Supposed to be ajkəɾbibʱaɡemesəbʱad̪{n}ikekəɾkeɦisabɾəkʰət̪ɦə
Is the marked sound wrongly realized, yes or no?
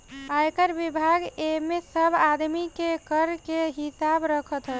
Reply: yes